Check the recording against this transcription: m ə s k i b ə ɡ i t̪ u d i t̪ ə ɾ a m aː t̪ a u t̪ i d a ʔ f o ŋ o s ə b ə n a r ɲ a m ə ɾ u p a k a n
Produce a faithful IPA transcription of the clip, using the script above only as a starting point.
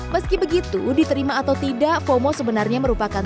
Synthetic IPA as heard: m ə s k i b ə ɡ i t̪ u d i t̪ ə ɾ i m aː t̪ a w t̪ i d a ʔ f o m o s ə b ə n a r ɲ a m ə ɾ u p a k a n